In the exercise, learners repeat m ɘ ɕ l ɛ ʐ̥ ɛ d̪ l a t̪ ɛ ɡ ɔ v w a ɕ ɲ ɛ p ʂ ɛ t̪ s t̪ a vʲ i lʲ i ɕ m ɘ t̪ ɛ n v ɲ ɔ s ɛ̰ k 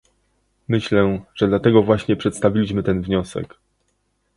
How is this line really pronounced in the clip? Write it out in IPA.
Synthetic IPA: m ɘ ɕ l ɛ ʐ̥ ɛ d̪ l a t̪ ɛ ɡ ɔ v w a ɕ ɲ ɛ p ʂ ɛ t̪ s t̪ a vʲ i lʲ i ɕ m ɘ t̪ ɛ n v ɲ ɔ s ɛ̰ k